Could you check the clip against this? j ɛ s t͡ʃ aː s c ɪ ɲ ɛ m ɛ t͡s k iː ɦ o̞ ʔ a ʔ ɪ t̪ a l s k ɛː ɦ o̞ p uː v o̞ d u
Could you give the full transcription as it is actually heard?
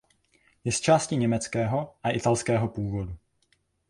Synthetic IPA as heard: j ɛ s t͡ʃ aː s c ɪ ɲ ɛ m ɛ t͡s k ɛː ɦ o̞ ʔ a ʔ ɪ t̪ a l s k ɛː ɦ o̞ p uː v o̞ d u